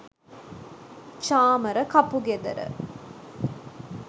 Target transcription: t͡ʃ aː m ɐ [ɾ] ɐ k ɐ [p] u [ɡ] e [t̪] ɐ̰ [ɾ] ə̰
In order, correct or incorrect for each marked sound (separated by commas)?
correct, correct, correct, incorrect, correct